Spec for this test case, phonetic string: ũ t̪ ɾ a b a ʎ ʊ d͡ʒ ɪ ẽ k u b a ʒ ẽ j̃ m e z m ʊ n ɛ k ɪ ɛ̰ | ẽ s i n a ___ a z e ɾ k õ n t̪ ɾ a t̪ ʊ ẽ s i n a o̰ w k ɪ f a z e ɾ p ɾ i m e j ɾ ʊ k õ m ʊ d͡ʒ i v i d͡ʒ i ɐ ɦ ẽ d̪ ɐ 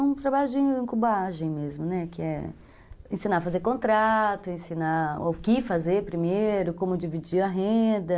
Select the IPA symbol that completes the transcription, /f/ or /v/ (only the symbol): f